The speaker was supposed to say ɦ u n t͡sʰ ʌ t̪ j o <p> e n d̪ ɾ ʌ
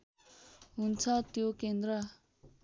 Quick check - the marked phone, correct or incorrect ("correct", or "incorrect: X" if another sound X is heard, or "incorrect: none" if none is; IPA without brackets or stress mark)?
incorrect: k